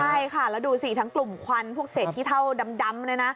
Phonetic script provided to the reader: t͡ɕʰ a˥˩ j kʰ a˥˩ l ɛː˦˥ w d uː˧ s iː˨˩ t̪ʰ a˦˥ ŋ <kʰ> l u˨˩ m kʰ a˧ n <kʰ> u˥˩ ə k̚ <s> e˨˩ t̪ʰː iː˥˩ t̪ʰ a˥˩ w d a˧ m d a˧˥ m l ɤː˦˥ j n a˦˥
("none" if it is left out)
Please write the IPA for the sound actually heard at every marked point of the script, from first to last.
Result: k, pʰ, s

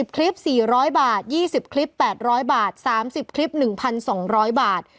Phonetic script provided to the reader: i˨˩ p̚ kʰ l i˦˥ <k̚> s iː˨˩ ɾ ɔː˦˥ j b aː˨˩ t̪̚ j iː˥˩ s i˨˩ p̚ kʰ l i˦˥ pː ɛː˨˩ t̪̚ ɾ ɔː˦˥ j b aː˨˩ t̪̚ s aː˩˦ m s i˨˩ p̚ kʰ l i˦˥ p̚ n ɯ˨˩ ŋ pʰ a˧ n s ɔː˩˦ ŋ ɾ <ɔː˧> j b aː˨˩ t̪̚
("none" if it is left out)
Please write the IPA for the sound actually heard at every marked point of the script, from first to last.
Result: p̚, ɔː˦˥

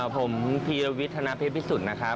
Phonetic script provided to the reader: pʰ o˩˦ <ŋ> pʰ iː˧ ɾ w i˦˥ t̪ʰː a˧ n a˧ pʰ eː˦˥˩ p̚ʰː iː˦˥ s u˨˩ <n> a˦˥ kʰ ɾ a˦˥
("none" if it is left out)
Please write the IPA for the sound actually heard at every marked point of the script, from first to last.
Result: m, n

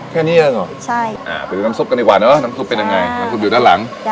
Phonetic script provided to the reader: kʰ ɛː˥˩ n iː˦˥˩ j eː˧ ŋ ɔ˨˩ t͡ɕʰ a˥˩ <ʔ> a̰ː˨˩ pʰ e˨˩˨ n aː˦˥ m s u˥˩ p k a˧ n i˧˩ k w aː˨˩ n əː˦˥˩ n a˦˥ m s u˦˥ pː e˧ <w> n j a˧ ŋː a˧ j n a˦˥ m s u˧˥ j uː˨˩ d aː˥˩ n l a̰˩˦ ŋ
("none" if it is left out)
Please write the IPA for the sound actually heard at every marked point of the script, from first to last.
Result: ʔ, none

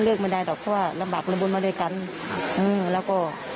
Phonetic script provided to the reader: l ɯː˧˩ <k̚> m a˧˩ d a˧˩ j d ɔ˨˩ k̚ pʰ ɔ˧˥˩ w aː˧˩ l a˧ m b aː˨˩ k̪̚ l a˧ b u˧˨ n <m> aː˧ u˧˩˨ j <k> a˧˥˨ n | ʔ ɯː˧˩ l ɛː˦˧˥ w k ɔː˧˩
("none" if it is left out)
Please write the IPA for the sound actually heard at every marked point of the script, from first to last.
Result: k̚, m, k

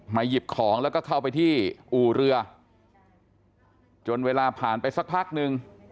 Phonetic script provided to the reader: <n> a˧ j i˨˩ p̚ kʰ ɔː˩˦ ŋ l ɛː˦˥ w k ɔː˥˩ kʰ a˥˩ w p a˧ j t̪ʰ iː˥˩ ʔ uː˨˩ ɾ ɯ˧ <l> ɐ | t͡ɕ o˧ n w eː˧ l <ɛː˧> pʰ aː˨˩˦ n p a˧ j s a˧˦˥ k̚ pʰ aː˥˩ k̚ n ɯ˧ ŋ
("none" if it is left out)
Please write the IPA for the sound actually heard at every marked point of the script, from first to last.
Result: m, none, aː˧

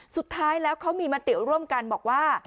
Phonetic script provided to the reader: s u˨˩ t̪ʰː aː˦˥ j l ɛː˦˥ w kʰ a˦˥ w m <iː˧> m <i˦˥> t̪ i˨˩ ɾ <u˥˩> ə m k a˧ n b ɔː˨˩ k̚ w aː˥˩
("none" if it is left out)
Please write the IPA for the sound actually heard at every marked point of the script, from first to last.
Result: iː˧, a˦˥, u˥˩

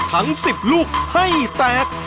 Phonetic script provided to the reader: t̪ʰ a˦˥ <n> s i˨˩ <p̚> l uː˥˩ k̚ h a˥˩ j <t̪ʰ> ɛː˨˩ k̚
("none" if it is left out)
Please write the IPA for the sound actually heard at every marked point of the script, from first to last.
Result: ŋ, p̚, t̪

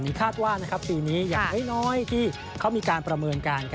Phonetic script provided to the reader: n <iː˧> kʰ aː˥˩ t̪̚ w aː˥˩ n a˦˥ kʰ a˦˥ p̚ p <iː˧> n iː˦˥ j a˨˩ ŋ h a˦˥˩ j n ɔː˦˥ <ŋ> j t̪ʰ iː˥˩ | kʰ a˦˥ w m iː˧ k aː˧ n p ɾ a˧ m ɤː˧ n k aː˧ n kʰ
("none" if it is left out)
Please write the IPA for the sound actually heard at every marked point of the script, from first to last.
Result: iː˦˥, iː˧, none

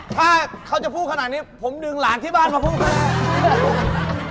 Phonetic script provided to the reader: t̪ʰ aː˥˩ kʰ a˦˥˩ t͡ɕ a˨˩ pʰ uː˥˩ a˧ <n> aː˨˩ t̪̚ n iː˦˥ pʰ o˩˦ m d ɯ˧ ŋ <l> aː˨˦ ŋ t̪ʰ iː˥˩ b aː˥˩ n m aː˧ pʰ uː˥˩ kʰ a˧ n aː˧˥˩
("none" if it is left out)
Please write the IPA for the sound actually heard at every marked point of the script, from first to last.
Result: n, l

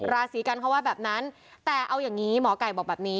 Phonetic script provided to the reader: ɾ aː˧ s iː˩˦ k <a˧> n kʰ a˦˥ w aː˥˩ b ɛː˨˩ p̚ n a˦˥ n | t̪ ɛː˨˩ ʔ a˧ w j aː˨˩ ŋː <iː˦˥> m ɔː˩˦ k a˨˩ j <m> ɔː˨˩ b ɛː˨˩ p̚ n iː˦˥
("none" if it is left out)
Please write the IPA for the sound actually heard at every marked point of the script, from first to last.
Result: a˧, iː˦˥, b

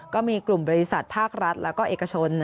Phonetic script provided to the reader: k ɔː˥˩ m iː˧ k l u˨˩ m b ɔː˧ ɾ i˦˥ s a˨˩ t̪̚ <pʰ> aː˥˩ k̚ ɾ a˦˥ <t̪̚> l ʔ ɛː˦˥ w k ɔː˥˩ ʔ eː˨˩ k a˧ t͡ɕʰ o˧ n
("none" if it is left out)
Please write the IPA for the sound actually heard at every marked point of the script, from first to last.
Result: pʰ, t̪̚

